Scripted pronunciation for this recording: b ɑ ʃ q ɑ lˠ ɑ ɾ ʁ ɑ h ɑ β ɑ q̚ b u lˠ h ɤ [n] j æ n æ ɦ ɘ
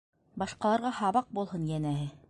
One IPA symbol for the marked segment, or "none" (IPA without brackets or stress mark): n